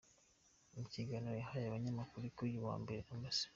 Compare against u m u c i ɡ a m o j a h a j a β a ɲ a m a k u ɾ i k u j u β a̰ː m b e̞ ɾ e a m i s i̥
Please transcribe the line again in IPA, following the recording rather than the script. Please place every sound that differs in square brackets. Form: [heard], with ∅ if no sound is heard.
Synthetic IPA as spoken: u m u c i ɡ a [n] o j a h a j a β a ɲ a m a k u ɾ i k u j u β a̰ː m b e̞ ɾ e a m [a] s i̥